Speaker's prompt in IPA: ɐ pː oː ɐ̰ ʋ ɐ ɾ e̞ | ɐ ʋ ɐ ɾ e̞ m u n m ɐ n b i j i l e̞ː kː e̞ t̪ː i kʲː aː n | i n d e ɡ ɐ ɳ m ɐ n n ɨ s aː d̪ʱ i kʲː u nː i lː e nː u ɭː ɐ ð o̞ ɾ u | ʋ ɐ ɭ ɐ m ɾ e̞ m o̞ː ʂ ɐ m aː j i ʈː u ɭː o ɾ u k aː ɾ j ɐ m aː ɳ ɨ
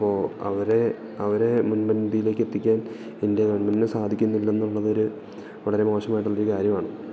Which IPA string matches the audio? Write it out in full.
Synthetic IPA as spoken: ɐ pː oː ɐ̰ ʋ ɐ ɾ e̞ | ɐ ʋ ɐ ɾ e̞ m u n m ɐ n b i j i l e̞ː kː e̞ t̪ː i kʲː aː n | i n d e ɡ ɐ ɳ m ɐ n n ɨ s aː d̪ʱ i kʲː u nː i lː e nː u ɭː ɐ ð o̞ ɾ u | ʋ ɐ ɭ ɐ ɾ e̞ m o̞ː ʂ ɐ m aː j i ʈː u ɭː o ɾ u k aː ɾ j ɐ m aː ɳ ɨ